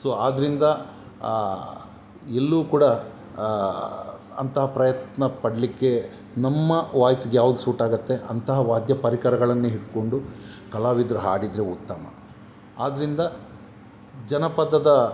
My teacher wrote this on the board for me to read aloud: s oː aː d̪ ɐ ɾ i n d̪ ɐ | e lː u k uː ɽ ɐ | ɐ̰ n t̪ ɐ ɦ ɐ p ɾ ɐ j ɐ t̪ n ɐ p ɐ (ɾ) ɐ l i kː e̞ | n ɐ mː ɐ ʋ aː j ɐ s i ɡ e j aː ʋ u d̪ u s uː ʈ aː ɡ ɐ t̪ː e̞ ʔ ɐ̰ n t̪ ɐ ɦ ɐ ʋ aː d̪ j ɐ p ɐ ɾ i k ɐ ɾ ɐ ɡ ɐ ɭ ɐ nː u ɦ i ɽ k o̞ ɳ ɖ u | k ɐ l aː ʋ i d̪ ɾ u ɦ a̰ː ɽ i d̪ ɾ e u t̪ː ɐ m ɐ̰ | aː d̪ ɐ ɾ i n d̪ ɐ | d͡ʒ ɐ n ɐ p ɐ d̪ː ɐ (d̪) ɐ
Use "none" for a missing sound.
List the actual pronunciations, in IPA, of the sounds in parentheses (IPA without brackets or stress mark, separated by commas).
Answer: ɽ, d̪